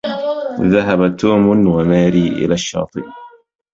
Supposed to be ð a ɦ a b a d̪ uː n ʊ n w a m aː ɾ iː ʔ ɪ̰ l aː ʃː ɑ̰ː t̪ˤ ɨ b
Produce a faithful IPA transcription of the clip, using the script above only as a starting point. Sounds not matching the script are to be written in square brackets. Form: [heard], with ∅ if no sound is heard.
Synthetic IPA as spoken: ð a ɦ a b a [t̪] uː [m] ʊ n w a m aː ɾ iː ʔ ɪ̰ l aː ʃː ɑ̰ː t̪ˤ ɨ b